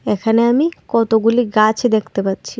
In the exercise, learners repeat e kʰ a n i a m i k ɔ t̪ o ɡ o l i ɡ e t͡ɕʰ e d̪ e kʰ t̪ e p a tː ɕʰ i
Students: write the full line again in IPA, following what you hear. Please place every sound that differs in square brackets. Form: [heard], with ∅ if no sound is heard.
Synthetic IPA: e kʰ a n [e] a m i k ɔ t̪ o ɡ [u] l i ɡ [a] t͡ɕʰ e d̪ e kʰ t̪ e p a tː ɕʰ i